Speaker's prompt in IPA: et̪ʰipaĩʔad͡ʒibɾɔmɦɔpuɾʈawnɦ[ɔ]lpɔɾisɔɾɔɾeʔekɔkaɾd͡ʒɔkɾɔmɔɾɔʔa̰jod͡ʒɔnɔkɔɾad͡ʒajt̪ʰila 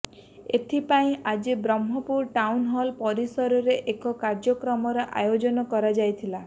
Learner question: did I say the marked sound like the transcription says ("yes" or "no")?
yes